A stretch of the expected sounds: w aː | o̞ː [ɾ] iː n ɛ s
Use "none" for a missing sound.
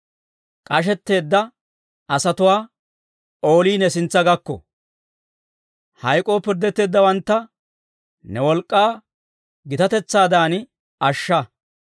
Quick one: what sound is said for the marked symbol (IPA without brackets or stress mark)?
l